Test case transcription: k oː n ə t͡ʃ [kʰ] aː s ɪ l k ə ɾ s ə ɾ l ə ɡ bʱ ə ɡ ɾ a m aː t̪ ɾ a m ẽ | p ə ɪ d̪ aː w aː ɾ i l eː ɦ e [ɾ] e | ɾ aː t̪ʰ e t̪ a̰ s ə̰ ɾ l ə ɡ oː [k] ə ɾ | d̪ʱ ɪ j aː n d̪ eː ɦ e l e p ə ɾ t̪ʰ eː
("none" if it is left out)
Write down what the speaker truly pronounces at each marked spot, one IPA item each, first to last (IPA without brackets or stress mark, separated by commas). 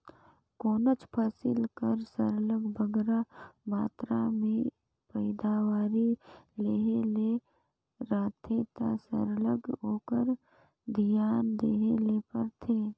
pʰ, l, k